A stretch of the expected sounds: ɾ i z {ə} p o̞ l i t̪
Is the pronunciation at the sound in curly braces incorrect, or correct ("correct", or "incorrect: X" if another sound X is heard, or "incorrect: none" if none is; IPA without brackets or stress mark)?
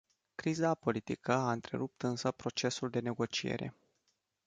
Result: incorrect: a